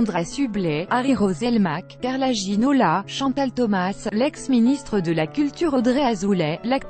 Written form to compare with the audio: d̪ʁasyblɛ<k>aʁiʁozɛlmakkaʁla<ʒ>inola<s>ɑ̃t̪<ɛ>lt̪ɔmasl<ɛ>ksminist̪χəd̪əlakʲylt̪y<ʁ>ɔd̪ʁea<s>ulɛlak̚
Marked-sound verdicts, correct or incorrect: incorrect, correct, incorrect, incorrect, correct, correct, incorrect

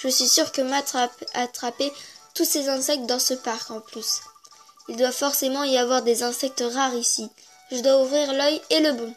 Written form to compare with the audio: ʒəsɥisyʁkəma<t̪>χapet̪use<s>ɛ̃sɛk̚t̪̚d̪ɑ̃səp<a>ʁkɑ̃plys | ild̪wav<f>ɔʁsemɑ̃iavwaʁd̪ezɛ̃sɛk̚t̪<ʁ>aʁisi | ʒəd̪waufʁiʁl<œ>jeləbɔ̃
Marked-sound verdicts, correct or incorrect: correct, incorrect, correct, correct, correct, correct

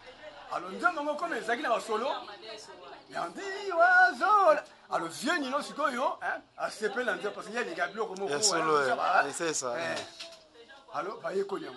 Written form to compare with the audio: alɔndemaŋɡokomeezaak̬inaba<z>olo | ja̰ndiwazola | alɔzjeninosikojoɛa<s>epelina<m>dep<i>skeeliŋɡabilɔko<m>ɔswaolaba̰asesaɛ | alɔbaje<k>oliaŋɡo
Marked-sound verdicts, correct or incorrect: incorrect, correct, incorrect, incorrect, correct, correct

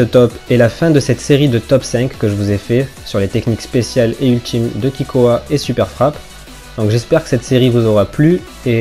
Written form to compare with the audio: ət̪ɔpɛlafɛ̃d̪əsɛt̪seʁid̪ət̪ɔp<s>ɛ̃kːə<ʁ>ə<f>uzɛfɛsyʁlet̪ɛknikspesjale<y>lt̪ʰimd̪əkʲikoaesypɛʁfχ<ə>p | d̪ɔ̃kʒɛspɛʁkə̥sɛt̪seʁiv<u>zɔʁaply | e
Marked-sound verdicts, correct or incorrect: correct, incorrect, incorrect, correct, incorrect, correct

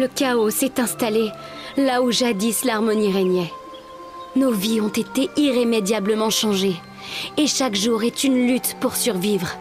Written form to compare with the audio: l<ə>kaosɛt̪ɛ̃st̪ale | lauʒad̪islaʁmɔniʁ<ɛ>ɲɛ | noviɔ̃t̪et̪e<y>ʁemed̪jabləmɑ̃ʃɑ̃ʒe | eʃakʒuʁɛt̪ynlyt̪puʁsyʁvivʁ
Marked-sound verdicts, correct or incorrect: correct, correct, incorrect

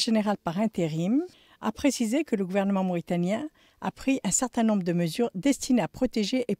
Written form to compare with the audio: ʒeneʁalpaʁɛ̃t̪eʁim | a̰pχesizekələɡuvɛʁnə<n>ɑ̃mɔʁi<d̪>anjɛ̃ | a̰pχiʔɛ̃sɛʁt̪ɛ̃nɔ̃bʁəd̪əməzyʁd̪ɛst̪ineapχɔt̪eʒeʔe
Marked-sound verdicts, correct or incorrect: incorrect, incorrect

